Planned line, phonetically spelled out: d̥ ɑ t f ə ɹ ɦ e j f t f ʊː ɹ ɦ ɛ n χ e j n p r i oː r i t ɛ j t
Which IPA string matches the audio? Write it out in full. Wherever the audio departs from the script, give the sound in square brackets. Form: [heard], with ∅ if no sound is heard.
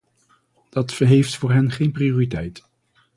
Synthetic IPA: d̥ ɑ t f ə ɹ ɦ e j f t f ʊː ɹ ɦ ɛ n χ e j n p r i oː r i t ɛ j t